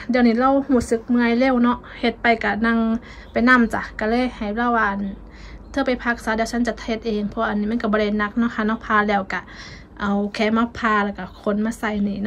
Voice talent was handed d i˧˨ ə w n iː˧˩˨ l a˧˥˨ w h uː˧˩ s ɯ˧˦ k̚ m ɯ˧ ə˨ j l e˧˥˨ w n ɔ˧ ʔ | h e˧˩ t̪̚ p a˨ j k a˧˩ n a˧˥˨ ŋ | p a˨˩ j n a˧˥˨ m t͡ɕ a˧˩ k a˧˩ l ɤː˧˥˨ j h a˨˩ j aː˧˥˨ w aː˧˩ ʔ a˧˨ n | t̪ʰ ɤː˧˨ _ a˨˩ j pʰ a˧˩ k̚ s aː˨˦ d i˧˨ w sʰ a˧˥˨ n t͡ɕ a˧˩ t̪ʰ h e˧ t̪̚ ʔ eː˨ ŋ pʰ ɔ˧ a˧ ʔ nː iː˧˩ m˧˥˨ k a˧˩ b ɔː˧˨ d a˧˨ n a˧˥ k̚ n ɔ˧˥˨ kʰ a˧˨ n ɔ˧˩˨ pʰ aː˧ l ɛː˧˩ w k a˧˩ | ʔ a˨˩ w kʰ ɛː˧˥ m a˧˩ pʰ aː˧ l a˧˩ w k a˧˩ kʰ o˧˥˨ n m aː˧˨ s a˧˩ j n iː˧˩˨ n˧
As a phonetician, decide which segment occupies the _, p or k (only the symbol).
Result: p